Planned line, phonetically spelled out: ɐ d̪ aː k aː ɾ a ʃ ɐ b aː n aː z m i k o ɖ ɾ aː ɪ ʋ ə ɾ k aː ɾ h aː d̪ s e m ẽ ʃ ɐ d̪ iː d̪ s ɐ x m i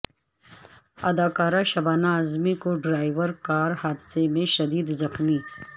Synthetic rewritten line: ɐ d̪ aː k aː ɾ a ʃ ɐ b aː n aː z m i k o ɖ ɾ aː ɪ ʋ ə ɾ k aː ɾ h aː d̪ s e m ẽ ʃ ɐ d̪ iː d̪ z ɐ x m i